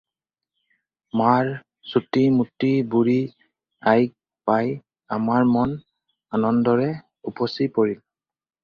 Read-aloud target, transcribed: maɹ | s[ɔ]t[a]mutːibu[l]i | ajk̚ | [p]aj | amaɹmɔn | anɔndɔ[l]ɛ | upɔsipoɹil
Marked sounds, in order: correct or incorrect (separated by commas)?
incorrect, incorrect, incorrect, correct, incorrect